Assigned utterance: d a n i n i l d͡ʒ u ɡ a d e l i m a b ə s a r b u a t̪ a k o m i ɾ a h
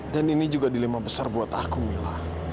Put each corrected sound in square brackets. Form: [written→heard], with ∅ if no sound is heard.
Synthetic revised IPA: d a n i n i [l→∅] d͡ʒ u ɡ a d [e→i] l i m a b ə s a r b u a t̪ a k [o→u] m i [ɾ→l] a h